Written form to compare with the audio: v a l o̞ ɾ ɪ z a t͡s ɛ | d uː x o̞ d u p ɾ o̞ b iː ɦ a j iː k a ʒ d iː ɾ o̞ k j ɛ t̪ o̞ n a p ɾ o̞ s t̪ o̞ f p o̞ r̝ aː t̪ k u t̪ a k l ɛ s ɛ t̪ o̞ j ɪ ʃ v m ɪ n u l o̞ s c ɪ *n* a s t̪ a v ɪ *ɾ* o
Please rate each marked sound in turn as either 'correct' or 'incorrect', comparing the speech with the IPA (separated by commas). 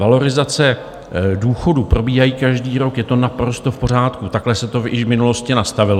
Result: correct, incorrect